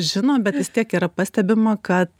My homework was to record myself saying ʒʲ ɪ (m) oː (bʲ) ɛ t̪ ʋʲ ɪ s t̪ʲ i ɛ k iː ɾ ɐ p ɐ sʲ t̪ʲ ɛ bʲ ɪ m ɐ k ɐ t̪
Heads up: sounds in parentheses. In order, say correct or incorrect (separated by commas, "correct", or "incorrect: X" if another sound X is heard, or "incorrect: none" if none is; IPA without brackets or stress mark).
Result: incorrect: n, correct